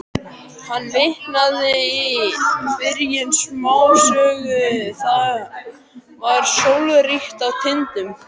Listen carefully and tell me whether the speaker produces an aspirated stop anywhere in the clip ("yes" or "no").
yes